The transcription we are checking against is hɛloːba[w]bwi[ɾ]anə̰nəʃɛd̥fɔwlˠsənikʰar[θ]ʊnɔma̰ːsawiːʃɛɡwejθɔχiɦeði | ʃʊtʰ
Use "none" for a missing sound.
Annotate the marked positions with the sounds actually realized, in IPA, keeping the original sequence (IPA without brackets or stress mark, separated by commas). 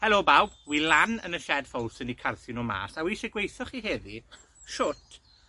w, l, θ